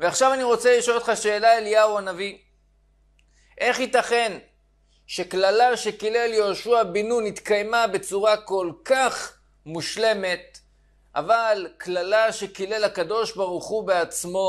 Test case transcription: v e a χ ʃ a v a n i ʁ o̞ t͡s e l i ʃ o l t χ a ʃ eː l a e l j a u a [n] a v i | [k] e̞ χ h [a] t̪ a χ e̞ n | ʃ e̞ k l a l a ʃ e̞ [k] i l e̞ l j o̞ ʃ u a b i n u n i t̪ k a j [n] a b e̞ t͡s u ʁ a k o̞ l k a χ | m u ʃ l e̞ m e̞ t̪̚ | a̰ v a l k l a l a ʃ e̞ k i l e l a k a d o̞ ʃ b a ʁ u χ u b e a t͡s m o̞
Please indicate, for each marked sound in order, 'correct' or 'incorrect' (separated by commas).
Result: correct, incorrect, incorrect, correct, incorrect